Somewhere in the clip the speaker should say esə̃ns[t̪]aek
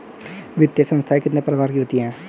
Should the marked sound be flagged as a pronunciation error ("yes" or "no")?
yes